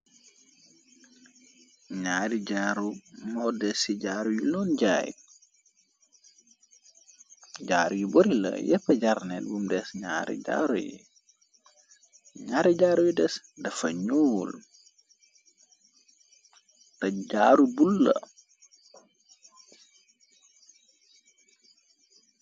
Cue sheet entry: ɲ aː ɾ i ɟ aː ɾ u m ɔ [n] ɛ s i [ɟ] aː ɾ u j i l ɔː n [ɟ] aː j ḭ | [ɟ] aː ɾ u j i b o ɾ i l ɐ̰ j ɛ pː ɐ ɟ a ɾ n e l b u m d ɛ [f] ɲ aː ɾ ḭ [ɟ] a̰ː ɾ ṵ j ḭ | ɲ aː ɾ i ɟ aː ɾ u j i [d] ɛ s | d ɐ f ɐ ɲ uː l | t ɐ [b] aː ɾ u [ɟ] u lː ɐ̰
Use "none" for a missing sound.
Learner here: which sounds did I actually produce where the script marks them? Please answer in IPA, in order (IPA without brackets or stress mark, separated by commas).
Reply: d, ɟ, ɟ, ɟ, s, ɟ, d, ɟ, b